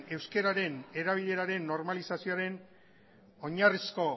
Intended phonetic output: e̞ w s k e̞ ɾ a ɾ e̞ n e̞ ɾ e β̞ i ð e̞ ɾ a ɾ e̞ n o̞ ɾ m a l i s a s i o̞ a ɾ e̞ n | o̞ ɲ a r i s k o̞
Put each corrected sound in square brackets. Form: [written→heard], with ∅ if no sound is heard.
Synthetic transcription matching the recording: e̞ w s k e̞ ɾ a ɾ e̞ n e̞ ɾ [e→a] β̞ i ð e̞ ɾ a ɾ e̞ [n→nː] o̞ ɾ m a l i s a s i o̞ a ɾ e̞ n | o̞ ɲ a r i s k o̞

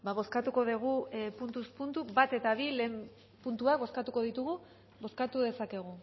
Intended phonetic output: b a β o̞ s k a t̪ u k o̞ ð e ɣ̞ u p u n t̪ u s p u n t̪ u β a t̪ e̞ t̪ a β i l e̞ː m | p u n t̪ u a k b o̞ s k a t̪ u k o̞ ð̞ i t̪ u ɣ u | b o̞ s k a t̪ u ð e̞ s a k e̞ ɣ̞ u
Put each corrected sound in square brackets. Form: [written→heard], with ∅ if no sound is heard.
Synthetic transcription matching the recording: b a β o̞ s k a t̪ u k o̞ ð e ɣ̞ u p u n t̪ u s p u n t̪ u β a t̪ e̞ t̪ a β i l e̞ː m | p u n t̪ u a k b o̞ s k a t̪ u k o̞ ð̞ i t̪ u ɣ u | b o̞ s k a t̪ u ð e̞ s a k e̞ ɣ̞ u

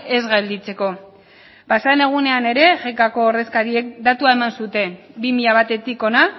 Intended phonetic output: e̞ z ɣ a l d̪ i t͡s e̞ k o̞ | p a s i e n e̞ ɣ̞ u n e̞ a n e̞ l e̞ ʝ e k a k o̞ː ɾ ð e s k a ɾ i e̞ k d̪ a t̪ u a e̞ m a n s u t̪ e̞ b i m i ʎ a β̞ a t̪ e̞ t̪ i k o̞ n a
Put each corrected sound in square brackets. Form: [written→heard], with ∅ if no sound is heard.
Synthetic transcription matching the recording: e̞ z ɣ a l d̪ i t͡s e̞ k o̞ | p a s [i→a] e n e̞ ɣ̞ u n e̞ a n e̞ [l→ɾ] e̞ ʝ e k a k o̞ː ɾ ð e s k a ɾ i e̞ k d̪ a t̪ u a e̞ m a n s u t̪ e̞ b i m i ʎ a β̞ a t̪ e̞ t̪ i k o̞ n a

